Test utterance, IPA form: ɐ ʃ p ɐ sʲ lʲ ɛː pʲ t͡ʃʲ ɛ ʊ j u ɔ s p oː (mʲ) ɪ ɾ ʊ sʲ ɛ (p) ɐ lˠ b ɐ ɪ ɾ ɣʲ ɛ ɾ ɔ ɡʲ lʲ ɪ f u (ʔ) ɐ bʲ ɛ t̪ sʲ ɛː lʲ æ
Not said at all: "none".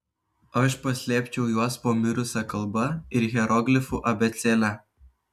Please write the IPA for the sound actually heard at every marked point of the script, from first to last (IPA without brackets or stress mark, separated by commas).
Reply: mʲ, k, ʔ